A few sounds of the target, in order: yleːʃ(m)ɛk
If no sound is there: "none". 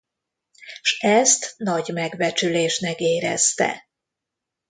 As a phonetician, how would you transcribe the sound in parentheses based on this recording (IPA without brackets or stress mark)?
n